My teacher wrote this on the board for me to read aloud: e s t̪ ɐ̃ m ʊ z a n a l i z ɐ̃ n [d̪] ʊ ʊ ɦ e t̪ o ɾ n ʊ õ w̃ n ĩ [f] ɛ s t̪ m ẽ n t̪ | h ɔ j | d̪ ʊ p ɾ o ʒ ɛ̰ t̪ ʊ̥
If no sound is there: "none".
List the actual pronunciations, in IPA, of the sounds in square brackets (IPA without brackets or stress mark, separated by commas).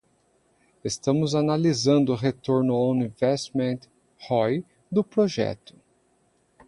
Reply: d̪, v